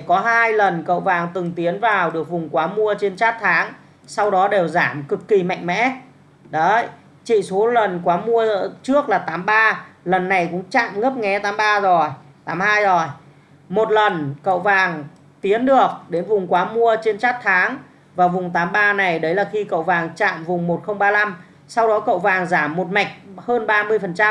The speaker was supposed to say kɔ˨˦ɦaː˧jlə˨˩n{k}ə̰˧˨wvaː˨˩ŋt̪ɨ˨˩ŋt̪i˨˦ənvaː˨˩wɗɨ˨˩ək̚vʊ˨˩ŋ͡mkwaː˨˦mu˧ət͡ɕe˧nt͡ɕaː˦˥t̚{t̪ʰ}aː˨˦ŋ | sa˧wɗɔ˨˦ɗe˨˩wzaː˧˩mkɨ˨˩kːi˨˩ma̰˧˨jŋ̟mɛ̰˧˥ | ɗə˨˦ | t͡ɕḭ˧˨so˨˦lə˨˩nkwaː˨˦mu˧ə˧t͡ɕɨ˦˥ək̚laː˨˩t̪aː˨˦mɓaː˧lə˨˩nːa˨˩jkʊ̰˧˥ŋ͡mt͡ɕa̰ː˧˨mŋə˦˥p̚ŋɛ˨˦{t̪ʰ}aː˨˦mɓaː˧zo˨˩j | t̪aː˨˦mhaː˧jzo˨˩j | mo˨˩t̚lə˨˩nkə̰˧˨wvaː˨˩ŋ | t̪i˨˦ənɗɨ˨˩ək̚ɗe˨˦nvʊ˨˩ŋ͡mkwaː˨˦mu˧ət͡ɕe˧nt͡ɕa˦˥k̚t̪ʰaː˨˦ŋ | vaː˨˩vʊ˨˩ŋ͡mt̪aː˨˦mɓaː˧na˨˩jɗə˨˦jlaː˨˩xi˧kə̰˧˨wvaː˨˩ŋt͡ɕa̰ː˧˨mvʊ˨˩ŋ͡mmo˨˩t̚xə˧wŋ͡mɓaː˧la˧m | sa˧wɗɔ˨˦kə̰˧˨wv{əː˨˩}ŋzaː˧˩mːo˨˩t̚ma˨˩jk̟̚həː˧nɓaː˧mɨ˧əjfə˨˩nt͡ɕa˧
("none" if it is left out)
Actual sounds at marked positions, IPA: k, t̪ʰ, t̪, aː˨˩

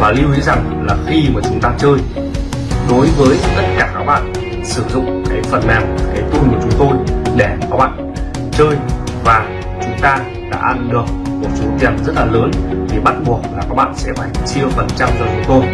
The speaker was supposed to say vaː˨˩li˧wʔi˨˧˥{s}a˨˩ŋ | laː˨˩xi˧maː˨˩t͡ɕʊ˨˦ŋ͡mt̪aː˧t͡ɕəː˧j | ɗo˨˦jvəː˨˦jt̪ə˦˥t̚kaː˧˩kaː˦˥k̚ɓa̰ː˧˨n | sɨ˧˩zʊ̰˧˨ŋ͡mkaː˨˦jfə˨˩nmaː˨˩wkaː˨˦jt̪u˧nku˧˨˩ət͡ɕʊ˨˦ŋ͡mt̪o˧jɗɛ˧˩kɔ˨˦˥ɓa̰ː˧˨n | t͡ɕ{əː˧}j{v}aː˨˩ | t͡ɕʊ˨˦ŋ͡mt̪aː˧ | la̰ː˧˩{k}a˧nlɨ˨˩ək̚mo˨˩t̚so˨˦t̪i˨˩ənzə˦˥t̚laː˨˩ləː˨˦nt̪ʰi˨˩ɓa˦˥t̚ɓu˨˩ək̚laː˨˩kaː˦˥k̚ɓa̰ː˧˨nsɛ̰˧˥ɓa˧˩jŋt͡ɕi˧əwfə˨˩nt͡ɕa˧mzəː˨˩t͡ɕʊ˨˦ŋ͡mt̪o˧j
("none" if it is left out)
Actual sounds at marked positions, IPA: z, əː˧, v, ʔ

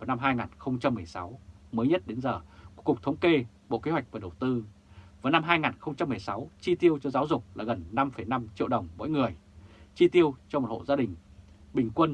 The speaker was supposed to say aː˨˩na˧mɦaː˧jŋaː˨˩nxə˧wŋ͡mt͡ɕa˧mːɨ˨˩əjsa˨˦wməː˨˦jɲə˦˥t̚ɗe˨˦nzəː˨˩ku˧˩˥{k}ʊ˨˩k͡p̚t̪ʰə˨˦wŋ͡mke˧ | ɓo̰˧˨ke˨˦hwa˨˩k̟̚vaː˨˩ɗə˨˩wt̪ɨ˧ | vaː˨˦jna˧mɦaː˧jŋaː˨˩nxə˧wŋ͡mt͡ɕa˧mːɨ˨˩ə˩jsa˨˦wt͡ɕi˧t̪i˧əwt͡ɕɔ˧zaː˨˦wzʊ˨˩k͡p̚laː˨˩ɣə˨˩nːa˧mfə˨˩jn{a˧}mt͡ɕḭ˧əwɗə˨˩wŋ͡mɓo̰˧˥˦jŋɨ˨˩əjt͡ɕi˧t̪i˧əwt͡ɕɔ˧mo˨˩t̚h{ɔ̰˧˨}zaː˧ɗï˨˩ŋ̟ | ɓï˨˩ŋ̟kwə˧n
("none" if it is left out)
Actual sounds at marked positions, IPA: k, a˧, o̰˧˨

